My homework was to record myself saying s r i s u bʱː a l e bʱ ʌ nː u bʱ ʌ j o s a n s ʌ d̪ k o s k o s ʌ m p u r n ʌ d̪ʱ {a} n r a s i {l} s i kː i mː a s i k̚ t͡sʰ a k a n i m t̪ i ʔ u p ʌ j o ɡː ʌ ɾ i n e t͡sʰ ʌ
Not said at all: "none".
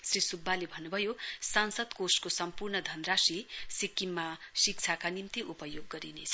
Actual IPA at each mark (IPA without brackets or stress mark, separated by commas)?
ʌ, none